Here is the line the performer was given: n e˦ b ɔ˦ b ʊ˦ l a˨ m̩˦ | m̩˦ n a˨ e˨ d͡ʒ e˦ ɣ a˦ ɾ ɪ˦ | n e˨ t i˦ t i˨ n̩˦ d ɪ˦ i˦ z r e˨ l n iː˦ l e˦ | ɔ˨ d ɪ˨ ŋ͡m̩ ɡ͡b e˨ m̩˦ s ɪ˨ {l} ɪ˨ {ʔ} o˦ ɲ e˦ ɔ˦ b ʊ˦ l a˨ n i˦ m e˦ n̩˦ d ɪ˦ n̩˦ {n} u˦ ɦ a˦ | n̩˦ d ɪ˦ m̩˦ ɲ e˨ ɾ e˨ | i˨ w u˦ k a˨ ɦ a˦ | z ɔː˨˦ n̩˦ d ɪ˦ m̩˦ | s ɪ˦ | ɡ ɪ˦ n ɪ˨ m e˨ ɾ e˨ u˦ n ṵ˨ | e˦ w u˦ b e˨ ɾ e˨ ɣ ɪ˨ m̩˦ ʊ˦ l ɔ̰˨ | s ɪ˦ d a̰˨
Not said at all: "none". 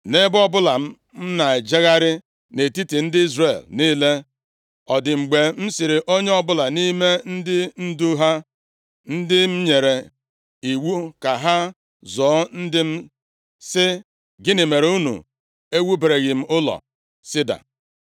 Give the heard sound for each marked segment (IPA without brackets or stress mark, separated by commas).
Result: ɾ, ʔ, d